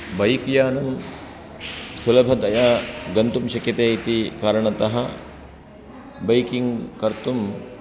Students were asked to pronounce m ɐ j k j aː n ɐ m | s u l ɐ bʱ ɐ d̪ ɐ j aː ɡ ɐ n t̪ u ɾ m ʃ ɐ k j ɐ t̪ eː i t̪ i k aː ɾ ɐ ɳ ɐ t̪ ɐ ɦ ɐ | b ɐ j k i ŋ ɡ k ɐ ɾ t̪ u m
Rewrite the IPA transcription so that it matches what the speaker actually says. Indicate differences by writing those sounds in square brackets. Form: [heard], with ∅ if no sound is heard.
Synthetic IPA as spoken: [b] ɐ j k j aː n ɐ m | s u l ɐ bʱ ɐ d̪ ɐ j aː ɡ ɐ n t̪ u [∅] m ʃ ɐ k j ɐ t̪ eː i t̪ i k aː ɾ ɐ ɳ ɐ t̪ ɐ ɦ ɐ | b ɐ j k i ŋ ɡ k ɐ ɾ t̪ u m